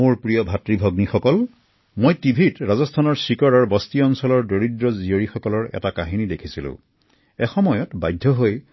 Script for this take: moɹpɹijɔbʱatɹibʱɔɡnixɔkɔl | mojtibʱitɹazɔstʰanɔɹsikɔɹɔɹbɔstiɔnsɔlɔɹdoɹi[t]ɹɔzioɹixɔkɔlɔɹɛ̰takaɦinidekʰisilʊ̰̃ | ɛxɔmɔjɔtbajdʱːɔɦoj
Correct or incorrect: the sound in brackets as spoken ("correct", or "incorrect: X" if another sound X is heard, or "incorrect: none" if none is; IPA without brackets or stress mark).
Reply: incorrect: d